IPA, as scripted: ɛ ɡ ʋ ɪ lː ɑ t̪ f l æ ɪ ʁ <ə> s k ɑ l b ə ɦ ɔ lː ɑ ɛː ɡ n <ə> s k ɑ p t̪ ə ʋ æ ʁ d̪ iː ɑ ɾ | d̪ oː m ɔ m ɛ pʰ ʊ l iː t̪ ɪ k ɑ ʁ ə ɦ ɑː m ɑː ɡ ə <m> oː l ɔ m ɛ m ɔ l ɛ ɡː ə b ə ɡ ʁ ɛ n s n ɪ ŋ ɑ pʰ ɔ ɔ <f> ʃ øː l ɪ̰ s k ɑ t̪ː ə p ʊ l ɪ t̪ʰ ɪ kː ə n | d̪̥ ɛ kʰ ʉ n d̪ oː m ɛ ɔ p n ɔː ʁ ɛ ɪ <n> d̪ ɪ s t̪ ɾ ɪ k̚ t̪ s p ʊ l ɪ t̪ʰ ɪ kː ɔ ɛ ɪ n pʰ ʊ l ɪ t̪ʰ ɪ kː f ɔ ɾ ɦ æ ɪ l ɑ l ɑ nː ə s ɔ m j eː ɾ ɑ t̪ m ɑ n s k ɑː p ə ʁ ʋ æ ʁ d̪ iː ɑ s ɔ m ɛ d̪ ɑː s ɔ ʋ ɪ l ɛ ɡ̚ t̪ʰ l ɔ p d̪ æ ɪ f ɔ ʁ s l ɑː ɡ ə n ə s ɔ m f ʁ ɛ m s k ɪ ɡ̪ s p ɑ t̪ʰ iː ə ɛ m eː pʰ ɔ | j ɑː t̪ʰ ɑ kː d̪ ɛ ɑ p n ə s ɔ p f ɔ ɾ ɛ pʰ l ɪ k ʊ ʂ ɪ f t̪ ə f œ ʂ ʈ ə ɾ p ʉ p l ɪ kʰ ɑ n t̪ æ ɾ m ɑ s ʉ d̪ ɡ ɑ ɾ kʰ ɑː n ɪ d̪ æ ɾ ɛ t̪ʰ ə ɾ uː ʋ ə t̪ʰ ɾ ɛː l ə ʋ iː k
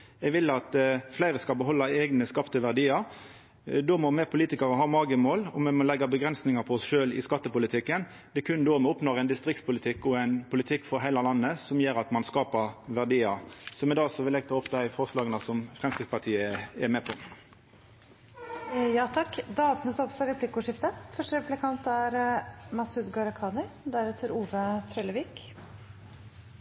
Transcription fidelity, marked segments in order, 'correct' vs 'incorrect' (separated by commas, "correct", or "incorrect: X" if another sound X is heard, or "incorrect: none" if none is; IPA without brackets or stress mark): correct, correct, correct, incorrect: s, correct